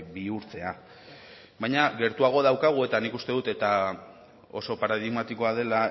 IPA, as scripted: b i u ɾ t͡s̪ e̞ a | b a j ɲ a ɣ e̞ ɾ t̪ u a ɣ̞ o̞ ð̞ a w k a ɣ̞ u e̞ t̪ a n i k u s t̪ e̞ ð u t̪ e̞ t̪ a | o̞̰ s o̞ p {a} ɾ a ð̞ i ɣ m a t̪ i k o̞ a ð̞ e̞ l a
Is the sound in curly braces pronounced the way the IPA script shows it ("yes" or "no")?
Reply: yes